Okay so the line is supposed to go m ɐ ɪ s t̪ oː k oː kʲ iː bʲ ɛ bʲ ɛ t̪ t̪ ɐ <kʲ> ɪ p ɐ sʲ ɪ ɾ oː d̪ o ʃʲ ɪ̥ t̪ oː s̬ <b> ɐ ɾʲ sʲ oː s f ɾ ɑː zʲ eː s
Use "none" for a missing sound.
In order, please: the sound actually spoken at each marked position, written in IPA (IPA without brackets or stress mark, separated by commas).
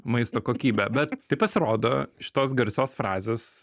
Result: none, ɡ